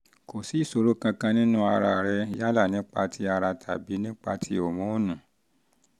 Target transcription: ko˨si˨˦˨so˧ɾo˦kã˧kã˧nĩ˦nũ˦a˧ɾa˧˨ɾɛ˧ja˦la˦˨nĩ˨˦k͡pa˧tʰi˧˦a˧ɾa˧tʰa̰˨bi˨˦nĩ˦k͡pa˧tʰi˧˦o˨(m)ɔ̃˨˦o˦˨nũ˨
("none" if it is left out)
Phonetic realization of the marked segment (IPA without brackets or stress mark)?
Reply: m